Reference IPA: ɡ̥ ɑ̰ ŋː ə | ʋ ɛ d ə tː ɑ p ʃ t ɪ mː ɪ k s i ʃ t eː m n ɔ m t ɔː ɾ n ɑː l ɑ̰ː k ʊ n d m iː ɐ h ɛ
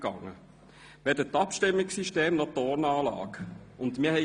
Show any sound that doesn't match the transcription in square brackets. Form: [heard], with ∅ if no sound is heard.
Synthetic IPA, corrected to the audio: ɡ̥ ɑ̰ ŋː ə | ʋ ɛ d ə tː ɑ p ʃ t ɪ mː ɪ k s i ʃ t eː m n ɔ [∅] t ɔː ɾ n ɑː l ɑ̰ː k ʊ n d m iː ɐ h ɛ